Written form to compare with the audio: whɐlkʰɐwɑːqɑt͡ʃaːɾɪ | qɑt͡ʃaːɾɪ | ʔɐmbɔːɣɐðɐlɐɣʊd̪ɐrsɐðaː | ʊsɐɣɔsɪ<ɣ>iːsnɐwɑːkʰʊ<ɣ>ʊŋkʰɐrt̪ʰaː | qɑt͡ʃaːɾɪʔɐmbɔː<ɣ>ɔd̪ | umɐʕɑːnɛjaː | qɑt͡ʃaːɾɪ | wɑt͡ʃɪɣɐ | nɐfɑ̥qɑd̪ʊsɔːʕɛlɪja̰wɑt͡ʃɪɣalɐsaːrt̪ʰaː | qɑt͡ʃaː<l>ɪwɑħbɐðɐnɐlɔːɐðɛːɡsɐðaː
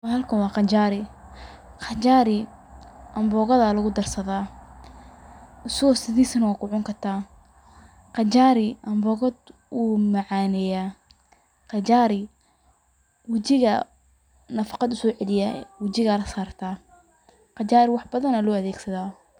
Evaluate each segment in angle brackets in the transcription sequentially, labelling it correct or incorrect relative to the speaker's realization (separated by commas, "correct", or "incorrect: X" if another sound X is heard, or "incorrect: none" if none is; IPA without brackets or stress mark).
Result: incorrect: ð, incorrect: ʕ, correct, incorrect: ɾ